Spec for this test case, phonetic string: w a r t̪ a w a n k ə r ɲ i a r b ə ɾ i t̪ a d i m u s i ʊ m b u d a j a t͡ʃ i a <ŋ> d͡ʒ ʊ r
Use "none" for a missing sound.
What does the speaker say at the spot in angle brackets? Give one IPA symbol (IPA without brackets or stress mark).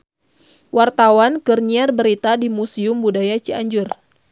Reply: ɲ